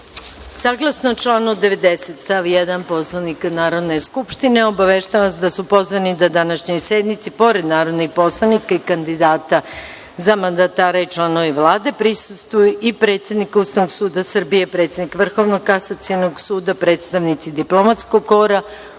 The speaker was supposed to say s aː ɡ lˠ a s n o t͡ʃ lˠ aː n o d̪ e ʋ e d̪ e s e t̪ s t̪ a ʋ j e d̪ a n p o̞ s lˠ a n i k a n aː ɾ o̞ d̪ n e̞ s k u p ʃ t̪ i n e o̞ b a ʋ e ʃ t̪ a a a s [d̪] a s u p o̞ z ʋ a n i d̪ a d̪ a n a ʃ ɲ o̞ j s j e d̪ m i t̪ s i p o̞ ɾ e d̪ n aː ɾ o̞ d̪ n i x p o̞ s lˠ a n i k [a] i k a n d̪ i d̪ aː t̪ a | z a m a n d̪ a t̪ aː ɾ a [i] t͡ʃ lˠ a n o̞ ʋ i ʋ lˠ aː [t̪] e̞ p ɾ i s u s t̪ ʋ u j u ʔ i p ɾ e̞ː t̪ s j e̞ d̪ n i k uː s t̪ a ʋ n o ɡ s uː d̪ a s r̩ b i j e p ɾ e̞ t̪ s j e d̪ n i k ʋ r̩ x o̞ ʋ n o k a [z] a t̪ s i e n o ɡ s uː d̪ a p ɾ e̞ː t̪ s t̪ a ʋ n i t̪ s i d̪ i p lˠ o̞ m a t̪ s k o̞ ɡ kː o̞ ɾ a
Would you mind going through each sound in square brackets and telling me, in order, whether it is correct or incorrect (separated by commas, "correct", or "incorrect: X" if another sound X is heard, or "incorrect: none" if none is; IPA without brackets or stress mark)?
correct, correct, correct, incorrect: d̪, incorrect: s